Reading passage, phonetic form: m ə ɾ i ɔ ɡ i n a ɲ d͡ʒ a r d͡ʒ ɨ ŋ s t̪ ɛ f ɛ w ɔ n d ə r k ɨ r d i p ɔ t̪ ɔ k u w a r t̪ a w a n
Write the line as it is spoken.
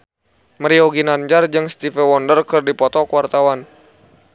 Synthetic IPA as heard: m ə ɾ i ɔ ɡ i n a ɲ d͡ʒ a r d͡ʒ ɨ ŋ s t̪ i f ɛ w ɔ n d ə r k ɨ r d i p ɔ t̪ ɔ k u w a r t̪ a w a n